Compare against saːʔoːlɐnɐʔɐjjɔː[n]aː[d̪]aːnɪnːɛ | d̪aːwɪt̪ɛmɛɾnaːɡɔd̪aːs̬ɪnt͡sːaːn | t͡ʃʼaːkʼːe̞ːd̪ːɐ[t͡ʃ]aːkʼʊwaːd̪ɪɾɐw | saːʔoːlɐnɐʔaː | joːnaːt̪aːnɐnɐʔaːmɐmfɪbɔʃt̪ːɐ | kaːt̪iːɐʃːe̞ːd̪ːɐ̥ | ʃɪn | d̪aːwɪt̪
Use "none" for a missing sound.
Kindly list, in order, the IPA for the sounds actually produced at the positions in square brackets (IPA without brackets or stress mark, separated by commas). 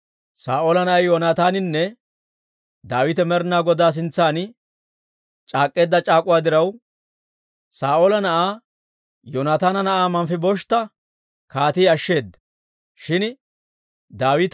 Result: n, t̪, t͡ʃʼ